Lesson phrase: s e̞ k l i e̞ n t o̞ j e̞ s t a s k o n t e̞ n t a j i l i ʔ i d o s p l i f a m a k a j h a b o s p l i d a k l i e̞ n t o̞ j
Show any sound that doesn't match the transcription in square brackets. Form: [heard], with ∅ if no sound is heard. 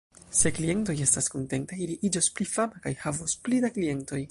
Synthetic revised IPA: s e̞ k l i e̞ n t o̞ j e̞ s t a s k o n t e̞ n t a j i l i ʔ i [d͡ʒ] o s p l i f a m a k a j h a [v] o s p l i d a k l i e̞ n t o̞ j